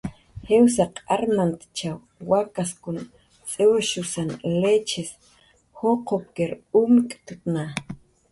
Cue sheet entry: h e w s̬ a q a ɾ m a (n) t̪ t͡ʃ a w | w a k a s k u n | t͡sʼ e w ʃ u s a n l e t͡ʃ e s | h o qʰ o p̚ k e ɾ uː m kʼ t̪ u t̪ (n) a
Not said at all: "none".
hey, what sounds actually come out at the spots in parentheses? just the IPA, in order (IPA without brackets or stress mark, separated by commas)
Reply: n, n